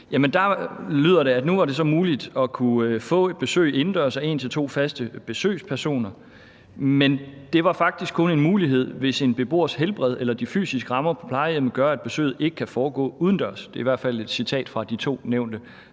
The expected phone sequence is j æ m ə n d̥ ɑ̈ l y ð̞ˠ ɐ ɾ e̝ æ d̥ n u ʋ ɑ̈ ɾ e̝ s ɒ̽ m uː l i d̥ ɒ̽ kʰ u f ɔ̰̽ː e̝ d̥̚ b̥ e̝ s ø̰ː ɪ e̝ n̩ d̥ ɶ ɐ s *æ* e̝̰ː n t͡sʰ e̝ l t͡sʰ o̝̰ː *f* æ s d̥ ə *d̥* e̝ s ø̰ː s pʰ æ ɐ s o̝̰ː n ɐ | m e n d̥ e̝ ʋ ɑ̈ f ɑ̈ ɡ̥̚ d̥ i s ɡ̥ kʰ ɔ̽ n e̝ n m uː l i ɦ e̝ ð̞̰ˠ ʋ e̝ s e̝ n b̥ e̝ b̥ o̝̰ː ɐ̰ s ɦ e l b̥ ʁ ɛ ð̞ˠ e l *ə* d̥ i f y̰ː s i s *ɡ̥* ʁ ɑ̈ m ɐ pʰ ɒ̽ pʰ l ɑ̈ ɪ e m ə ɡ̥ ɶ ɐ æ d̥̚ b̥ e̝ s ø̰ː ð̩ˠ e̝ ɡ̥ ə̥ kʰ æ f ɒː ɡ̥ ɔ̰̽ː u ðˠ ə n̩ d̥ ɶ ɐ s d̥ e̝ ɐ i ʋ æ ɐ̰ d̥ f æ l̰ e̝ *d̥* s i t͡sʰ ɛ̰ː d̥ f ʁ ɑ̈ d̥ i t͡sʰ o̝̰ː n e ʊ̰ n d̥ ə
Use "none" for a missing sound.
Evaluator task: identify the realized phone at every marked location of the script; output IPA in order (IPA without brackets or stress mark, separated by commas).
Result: æ, f, b̥, ɐ, ɡ̥, d̥